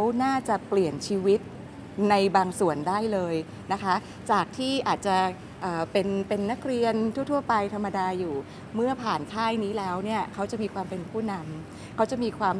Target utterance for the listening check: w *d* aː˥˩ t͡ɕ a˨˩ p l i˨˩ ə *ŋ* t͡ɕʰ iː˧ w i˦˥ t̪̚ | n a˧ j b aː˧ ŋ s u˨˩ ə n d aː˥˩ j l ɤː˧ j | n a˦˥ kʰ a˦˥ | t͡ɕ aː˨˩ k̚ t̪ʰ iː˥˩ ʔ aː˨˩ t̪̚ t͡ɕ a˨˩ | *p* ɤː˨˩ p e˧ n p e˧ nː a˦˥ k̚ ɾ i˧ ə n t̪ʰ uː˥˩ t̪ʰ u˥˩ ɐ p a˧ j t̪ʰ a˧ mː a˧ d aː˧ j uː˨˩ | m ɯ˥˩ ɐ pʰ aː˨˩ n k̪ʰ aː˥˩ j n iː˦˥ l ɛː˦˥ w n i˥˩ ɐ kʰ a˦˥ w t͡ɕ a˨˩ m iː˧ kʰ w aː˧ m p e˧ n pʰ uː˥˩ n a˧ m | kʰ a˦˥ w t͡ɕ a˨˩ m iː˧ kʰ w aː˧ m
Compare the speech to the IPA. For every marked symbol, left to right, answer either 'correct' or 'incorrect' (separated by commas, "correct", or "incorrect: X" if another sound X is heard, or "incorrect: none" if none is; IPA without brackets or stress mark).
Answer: incorrect: n, incorrect: n, incorrect: ʔ